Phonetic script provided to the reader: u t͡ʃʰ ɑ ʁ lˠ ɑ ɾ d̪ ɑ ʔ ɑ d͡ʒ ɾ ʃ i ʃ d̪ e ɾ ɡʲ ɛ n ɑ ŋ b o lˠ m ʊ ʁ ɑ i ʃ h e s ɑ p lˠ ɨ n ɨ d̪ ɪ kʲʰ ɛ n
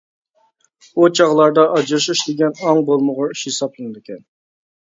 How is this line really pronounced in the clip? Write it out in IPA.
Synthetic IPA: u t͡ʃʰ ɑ ʁ lˠ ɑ ɾ d̪ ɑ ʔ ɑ d͡ʒ ɾ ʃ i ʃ d̪ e ɡʲ ɛ n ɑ ŋ b o lˠ m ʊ ʁ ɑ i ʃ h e s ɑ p lˠ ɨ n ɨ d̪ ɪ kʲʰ ɛ n